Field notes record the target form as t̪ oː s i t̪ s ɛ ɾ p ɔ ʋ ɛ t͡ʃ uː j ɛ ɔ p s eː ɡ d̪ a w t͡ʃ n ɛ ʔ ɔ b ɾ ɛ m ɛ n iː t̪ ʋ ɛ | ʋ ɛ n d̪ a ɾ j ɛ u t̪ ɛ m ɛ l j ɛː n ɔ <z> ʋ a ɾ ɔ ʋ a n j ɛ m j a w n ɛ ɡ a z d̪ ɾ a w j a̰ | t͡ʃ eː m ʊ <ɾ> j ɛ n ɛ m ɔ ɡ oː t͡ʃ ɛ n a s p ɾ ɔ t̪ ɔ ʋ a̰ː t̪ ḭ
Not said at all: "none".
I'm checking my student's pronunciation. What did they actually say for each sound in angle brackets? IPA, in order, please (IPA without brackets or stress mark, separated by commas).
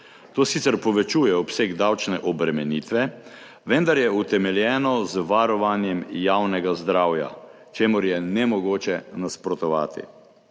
z, ɾ